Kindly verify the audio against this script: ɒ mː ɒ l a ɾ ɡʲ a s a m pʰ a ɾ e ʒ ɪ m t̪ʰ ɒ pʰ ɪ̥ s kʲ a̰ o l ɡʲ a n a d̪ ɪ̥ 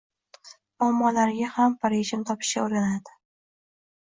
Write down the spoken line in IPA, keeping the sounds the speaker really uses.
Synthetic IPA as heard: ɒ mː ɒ l a ɾ ɡʲ a h a m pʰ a ɾ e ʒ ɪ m t̪ʰ ɒ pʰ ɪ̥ ʃ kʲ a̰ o ɾ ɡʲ a n a d̪ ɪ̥